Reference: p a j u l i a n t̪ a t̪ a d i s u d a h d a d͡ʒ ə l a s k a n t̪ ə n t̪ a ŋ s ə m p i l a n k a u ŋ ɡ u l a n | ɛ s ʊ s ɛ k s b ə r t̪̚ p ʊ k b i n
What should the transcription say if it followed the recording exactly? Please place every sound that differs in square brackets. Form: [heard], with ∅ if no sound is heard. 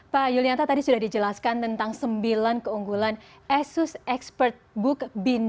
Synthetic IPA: p a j u l i a n t̪ a t̪ a d i s u d a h d [i] d͡ʒ ə l a s k a n t̪ ə n t̪ a ŋ s ə m [b] i l a n k [ə] u ŋ ɡ u l a n | ɛ s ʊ s ɛ k s [p] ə r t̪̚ [b] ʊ k b i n